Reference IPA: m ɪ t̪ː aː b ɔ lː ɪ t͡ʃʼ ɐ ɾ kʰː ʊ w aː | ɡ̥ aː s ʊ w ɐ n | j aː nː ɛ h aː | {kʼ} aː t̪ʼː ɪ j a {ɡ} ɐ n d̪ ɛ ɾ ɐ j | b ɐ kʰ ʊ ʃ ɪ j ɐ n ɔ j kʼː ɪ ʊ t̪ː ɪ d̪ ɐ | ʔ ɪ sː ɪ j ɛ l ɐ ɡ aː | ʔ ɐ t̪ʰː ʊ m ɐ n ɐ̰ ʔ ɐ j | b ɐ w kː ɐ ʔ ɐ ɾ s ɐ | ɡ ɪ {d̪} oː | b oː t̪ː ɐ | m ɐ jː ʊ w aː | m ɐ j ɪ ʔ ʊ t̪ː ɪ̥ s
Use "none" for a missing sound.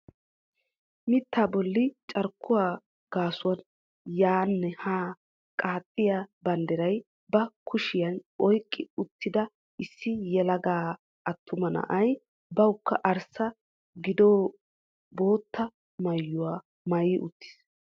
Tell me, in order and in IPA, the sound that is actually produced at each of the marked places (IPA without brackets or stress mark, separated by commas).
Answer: kʼ, b, d̪